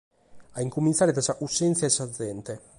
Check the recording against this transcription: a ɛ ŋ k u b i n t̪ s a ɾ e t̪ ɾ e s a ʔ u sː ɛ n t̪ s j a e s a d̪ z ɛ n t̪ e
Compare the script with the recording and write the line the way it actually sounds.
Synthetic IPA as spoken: a i ŋ k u m i n t̪ s a ɾ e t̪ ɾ a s a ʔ u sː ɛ n t̪ s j a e s a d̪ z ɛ n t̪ e